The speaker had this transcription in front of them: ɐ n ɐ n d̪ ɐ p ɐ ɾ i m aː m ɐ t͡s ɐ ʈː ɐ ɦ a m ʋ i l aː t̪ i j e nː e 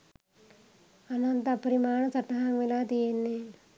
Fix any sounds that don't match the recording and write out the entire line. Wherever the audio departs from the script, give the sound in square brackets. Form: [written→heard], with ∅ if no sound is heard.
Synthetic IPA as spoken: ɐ n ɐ n [d̪→t̪] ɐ p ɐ ɾ i m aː [m→ɳ] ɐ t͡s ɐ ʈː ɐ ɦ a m ʋ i l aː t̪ i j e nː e